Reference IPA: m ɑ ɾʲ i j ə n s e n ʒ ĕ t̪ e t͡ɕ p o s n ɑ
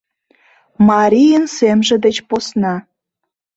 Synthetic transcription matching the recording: m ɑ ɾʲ i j ə n s e m ʒ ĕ d̪ e t͡ɕ p o s n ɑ